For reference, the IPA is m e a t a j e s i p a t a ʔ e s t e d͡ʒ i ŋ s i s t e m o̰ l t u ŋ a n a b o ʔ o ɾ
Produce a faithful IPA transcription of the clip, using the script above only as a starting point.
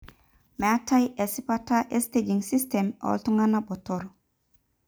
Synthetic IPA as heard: m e a t a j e s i p a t a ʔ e s t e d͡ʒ i ŋ s i s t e m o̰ l t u ŋ a n a b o t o ɾ